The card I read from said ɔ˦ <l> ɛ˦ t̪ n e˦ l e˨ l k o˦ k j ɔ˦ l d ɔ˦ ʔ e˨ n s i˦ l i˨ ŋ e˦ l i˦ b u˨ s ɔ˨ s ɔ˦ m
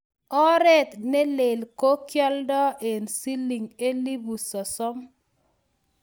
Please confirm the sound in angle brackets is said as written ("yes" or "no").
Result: no